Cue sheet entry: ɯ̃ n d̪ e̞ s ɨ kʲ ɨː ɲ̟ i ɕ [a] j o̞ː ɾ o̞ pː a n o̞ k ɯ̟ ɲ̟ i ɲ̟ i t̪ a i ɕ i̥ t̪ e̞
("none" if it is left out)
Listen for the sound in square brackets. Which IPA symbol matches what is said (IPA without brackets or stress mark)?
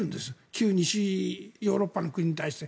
i